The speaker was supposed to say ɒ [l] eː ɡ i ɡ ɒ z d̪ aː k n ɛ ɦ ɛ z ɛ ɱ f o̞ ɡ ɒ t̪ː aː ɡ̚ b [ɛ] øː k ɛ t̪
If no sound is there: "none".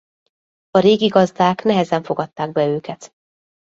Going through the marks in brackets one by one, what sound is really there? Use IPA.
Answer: ɾ, ɛ

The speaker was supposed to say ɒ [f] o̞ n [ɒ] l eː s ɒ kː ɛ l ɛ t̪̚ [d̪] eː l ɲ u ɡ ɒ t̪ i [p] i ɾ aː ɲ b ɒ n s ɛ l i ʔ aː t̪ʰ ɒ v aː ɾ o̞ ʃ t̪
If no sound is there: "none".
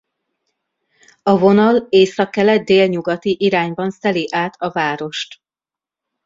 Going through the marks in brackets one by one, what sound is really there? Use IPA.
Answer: v, ɒ, d̪, ʔ

